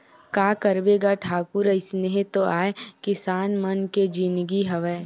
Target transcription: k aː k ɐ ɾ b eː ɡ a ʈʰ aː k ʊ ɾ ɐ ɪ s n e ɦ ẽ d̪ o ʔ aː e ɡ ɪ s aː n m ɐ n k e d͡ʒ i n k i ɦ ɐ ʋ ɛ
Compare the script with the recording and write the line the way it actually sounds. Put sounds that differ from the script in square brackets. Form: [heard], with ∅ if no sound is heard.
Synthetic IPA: k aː k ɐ ɾ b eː ɡ a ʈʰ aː k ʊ ɾ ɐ ɪ s n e ɦ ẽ [t̪] o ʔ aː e [k] ɪ s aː n m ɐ n k e d͡ʒ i n [ɡ] i ɦ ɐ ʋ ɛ